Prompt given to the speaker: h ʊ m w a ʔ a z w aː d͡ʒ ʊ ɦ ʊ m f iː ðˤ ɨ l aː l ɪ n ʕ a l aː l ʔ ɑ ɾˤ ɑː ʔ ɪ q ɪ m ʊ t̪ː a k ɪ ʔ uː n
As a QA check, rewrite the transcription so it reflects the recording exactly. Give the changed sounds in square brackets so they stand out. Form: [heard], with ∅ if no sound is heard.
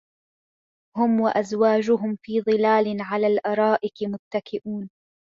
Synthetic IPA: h ʊ m w a ʔ a z w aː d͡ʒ ʊ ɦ ʊ m f iː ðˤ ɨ l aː l ɪ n ʕ a l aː l ʔ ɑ ɾˤ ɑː ʔ ɪ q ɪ m ʊ t̪ː a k ɪ ʔ uː n